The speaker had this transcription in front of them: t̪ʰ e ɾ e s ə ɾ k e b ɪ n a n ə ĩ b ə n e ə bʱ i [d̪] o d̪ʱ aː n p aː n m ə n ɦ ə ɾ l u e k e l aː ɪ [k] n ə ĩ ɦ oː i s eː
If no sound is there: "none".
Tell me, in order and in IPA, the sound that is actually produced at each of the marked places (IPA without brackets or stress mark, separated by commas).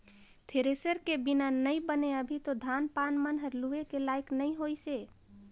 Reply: t̪, k